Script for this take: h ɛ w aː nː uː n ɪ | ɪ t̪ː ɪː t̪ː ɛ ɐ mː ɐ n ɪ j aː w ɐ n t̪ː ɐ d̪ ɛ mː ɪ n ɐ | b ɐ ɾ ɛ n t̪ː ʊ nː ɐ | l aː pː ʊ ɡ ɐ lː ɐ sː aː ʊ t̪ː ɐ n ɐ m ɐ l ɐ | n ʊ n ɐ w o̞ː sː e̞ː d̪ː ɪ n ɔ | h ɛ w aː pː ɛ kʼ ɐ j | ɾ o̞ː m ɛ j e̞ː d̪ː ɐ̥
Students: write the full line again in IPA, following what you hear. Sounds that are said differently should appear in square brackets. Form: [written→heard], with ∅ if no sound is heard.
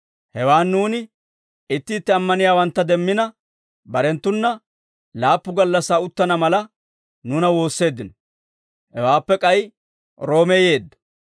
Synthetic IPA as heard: h ɛ w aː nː uː n ɪ | ɪ t̪ː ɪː t̪ː ɛ ɐ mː ɐ n ɪ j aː w ɐ n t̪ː ɐ d̪ ɛ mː ɪ n ɐ | b ɐ ɾ ɛ n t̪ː ʊ nː ɐ | l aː pː ʊ ɡ ɐ lː ɐ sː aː ʊ t̪ː ɐ n ɐ m ɐ l ɐ | n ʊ n ɐ w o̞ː sː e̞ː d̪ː ɪ n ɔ | h ɛ w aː pː ɛ kʼ ɐ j | ɾ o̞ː m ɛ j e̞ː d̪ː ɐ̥